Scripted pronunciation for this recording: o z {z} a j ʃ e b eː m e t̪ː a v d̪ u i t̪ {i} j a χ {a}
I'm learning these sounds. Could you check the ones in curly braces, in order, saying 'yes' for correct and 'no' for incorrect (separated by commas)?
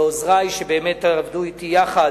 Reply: no, yes, yes